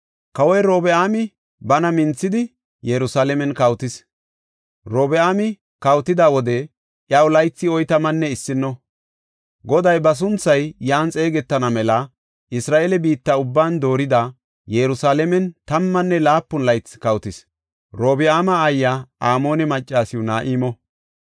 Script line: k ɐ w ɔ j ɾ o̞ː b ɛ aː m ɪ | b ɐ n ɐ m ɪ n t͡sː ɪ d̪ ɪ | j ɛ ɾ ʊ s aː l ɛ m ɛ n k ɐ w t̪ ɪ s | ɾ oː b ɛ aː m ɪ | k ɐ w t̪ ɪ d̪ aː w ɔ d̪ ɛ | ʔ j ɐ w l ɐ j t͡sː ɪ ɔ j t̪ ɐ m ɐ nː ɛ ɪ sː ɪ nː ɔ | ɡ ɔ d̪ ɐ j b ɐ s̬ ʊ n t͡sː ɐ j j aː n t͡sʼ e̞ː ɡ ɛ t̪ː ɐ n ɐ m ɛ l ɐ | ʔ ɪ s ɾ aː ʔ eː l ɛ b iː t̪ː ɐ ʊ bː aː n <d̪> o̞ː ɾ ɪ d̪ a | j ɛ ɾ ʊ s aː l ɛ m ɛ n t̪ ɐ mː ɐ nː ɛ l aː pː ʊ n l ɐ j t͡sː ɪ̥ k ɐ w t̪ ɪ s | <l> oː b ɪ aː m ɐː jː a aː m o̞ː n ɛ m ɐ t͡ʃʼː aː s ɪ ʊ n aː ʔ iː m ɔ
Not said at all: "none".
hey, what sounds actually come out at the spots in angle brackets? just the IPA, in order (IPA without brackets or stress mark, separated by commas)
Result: d̪, ɾ